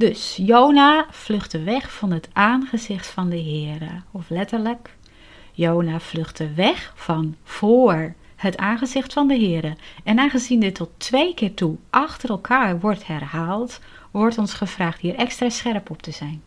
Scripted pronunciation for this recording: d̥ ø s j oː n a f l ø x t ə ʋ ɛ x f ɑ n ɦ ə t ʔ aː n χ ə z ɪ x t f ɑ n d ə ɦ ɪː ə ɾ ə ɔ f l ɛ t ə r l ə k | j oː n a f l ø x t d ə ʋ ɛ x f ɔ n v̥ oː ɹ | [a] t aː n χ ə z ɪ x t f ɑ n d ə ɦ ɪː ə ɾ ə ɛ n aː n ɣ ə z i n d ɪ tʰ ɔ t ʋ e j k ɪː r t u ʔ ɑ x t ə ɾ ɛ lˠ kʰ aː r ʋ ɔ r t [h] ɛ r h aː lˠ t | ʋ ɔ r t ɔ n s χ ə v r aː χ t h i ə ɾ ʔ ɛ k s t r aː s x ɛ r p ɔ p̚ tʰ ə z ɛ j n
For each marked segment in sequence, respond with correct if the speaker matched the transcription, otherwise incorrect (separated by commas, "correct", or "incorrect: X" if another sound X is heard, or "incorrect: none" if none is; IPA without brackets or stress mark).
incorrect: ə, correct